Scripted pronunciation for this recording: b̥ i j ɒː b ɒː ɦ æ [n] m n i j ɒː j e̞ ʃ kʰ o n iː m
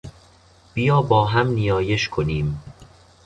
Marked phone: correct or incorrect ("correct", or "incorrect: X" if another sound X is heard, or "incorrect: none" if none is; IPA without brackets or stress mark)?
incorrect: none